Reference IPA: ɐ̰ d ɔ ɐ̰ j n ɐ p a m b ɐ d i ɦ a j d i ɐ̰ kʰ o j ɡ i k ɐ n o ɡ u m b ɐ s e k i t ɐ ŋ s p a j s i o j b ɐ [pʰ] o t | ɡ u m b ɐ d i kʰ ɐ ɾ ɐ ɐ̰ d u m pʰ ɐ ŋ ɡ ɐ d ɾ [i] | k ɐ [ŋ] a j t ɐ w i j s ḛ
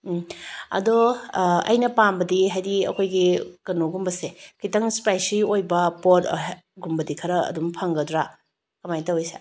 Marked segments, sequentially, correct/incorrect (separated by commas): incorrect, incorrect, incorrect